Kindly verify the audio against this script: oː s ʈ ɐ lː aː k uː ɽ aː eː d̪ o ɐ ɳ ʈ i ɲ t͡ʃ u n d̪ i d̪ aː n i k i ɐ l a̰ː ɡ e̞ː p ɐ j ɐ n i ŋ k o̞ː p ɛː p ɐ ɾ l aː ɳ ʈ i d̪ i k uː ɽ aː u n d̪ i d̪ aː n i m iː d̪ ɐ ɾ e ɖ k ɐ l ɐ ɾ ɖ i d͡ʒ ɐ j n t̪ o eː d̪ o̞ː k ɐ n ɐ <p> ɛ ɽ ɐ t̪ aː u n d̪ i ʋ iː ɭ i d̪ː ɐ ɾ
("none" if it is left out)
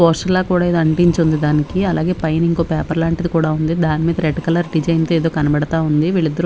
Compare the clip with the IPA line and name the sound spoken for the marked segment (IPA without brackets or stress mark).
b